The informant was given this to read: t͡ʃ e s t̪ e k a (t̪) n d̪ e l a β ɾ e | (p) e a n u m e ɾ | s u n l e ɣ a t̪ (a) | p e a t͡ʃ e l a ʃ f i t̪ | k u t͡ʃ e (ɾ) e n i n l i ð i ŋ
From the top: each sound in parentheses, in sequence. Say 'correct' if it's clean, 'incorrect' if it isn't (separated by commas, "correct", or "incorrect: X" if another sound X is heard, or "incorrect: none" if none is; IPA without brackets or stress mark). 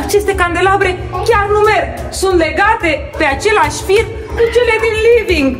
incorrect: none, incorrect: k, incorrect: e, incorrect: l